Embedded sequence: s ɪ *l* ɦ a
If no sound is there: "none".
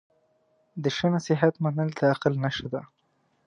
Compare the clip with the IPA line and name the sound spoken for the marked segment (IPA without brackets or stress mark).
none